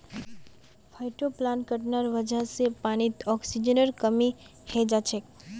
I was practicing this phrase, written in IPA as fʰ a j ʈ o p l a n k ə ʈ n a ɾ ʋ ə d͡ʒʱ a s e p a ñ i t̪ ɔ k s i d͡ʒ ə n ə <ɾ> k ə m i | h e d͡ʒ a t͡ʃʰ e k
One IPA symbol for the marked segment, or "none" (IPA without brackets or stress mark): ɾ